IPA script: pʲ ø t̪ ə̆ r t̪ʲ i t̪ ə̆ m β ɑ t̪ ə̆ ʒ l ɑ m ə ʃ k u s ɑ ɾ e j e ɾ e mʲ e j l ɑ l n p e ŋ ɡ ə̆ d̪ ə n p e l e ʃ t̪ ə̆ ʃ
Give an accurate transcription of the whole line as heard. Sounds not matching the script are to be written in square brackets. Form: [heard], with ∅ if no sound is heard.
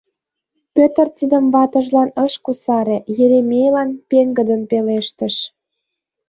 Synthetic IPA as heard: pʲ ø t̪ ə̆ r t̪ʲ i [d̪] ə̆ m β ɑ t̪ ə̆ ʒ l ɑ [n] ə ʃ k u s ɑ ɾ e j e ɾ e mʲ e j l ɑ [∅] n p e ŋ ɡ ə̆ d̪ ə n p e l e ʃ t̪ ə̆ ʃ